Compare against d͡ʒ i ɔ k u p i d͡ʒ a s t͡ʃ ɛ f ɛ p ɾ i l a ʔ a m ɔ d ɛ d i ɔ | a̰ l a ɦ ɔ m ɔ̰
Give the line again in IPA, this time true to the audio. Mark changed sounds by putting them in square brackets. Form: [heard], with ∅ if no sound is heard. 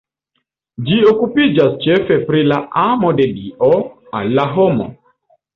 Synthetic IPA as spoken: d͡ʒ i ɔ k u p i d͡ʒ a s t͡ʃ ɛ f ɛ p ɾ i l a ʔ a m ɔ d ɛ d i ɔ | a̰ l a ɦ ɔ m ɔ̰